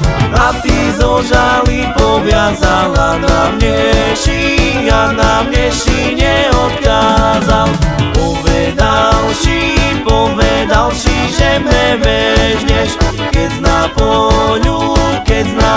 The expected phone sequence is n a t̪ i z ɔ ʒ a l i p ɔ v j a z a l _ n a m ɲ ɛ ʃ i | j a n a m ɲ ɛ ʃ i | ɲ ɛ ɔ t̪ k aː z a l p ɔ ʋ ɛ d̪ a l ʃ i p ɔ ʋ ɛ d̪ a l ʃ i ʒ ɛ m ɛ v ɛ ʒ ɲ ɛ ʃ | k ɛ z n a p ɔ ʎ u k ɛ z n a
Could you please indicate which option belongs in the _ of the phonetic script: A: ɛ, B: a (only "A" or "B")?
B